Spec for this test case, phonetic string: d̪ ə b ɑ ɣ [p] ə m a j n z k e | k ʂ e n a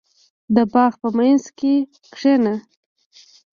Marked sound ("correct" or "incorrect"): correct